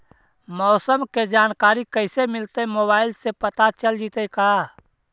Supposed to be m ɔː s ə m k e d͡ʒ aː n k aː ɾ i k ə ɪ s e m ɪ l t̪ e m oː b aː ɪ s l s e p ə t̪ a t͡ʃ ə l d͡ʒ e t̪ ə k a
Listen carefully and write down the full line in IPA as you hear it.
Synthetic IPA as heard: m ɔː s ə m k e d͡ʒ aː n k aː ɾ i k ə ɪ s e m ɪ l t̪ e m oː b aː ɪ l s e p ə t̪ a t͡ʃ ə l d͡ʒ i t̪ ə k a